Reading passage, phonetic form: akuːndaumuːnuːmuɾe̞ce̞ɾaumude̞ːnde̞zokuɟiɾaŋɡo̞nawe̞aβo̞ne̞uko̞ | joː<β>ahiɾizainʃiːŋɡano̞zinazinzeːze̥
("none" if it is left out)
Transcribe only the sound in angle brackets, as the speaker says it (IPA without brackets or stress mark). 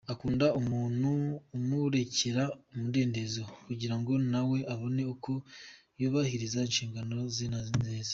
β